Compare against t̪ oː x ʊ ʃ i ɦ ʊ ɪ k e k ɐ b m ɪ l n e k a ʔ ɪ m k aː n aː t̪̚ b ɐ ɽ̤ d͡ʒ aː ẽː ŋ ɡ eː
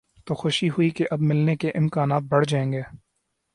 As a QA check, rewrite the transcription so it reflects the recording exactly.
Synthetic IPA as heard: t̪ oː x ʊ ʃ i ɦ ʊ i k e ʔ ɐ b m ɪ l n e k e ʔ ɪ m k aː n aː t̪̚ b ɐ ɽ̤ d͡ʒ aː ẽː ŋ ɡ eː